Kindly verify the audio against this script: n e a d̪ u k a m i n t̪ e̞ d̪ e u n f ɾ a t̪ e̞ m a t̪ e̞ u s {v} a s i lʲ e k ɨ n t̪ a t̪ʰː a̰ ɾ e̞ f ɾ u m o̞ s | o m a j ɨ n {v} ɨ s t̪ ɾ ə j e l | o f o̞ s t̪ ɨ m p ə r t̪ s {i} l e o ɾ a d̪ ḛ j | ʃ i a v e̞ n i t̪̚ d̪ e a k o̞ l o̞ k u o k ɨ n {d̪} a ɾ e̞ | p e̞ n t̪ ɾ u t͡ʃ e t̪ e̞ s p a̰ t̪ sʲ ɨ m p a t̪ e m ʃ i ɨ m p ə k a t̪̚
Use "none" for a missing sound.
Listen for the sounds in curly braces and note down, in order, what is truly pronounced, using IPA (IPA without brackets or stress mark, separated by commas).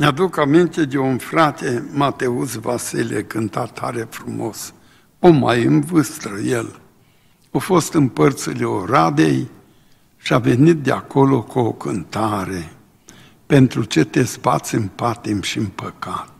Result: v, v, i, t̪